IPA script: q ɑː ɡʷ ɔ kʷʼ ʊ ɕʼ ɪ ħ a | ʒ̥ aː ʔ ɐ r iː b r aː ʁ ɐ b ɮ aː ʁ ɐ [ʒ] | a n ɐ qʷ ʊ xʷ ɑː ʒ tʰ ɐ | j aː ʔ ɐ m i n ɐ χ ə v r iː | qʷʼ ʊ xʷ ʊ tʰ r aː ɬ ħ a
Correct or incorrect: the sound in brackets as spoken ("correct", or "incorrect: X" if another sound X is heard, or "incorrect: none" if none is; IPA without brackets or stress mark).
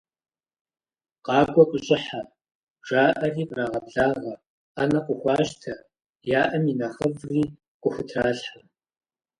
incorrect: none